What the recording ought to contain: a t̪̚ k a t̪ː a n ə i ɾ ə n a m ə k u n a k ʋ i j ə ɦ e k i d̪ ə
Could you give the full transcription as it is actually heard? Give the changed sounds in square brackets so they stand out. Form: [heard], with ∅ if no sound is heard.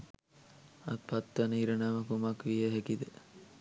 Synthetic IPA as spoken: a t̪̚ [p] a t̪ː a n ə i ɾ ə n a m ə k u [m] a k ʋ i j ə ɦ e k i d̪ ə